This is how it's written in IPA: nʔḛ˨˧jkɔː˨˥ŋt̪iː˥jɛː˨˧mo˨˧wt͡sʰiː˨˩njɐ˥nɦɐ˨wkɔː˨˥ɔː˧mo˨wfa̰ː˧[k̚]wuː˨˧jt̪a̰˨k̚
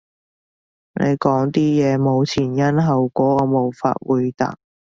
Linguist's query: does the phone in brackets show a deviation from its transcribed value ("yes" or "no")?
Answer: yes